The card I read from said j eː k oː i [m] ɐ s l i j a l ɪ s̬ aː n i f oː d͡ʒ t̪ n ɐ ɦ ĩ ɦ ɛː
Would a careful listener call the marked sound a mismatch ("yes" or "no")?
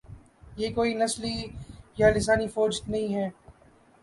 yes